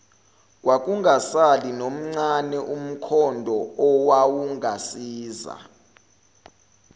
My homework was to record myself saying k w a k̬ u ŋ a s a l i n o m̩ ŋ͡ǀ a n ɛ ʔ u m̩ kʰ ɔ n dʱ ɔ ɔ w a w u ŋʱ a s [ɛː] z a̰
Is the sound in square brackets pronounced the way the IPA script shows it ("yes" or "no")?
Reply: no